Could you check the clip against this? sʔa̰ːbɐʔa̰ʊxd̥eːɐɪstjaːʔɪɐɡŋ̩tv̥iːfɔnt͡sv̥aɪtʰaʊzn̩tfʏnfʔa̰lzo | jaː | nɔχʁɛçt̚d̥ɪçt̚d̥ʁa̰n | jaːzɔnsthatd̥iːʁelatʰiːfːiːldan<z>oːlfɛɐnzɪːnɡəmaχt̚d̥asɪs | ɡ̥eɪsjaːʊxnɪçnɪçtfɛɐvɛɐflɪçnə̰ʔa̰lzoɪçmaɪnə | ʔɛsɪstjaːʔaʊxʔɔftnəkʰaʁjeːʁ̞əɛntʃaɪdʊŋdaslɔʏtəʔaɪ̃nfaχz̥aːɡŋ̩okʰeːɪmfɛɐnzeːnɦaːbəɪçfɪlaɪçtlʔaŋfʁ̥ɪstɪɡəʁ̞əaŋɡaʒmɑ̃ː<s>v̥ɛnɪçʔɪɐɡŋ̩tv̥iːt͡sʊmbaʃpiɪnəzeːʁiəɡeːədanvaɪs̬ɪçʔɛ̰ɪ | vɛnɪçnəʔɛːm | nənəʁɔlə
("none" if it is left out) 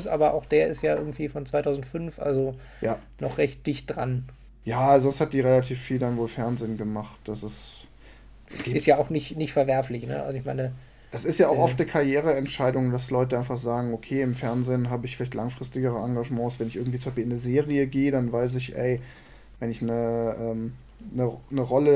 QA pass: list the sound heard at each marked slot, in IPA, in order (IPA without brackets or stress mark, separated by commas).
v, s